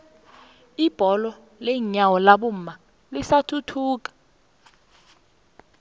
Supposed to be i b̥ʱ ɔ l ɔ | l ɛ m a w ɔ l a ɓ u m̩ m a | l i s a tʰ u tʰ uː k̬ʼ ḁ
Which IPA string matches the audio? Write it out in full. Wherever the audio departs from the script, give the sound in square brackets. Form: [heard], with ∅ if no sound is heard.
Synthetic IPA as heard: i b̥ʱ ɔ l ɔ | l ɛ [ɲ] a w ɔ l a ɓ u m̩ m a | l i s a tʰ u tʰ uː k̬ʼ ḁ